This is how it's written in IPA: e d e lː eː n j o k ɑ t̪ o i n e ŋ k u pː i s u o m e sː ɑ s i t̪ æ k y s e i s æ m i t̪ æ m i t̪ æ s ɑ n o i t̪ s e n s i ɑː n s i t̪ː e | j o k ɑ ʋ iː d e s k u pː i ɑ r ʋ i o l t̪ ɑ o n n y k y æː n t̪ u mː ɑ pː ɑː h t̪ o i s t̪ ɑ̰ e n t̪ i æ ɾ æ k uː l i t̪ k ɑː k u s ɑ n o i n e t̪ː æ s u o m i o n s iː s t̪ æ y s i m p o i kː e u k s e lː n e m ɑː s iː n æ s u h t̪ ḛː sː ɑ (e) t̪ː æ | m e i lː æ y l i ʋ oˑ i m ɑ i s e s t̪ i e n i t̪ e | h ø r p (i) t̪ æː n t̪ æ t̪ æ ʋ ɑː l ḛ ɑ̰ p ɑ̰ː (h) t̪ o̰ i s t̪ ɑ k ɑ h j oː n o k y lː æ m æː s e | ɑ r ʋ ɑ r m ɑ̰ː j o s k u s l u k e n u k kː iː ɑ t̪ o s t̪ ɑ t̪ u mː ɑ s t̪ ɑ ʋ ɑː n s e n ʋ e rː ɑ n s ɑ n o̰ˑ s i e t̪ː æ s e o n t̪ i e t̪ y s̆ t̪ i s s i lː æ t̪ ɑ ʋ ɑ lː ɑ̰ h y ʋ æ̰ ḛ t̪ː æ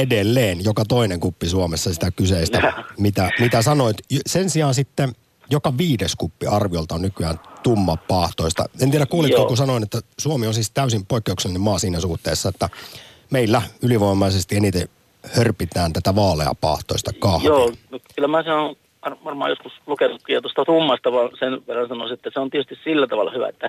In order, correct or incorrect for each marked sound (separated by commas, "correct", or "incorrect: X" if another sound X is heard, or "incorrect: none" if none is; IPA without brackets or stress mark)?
correct, correct, correct